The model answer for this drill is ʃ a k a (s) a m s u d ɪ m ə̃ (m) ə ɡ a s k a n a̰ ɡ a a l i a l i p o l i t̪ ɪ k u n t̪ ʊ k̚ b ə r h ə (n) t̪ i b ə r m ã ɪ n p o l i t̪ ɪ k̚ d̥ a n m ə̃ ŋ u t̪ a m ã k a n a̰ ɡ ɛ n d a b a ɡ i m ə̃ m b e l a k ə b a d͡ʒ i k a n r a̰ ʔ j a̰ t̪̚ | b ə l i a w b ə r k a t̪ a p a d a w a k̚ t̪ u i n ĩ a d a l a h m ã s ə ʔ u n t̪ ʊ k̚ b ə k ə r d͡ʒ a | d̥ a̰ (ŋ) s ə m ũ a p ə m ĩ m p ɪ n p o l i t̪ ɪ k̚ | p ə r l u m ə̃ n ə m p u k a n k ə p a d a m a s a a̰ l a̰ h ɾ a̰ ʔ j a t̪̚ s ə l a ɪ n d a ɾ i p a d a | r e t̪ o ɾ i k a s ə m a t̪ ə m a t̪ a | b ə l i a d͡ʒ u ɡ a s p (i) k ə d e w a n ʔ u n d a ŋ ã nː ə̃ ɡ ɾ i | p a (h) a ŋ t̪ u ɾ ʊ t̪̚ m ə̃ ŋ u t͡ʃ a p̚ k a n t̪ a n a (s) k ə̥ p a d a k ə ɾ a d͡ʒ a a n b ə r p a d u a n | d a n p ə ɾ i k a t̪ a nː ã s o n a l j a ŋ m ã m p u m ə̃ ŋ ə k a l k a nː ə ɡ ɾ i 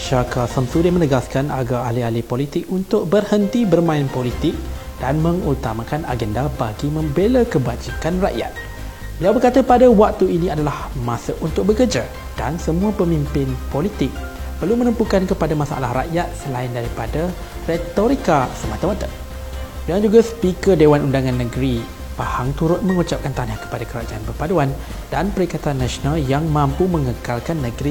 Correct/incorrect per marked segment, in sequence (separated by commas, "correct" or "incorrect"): correct, incorrect, correct, incorrect, correct, correct, incorrect